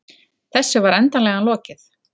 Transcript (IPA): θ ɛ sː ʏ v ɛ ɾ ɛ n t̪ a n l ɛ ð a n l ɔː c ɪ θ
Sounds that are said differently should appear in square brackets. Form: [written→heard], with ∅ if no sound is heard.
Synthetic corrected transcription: θ ɛ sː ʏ v [ɛ→a] ɾ ɛ n t̪ a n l ɛ [ð→ɣ] a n l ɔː c ɪ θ

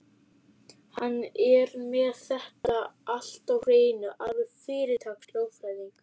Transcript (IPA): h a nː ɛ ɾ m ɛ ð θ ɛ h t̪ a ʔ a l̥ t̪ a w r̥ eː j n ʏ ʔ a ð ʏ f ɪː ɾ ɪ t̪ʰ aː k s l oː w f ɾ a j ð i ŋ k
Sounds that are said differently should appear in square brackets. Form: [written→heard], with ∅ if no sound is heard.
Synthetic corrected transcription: h a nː ɛ ɾ m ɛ ð θ ɛ h t̪ a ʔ a l̥ t̪ a w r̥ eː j n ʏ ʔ a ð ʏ f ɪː ɾ ɪ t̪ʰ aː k s l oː w f ɾ a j ð i ŋ k

